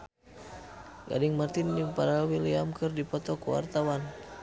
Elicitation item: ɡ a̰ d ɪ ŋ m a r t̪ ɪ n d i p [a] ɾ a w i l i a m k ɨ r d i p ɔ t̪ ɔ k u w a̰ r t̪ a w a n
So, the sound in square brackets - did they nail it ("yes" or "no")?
yes